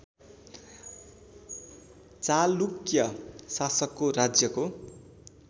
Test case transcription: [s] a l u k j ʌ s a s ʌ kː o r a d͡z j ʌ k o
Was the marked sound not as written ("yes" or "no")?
yes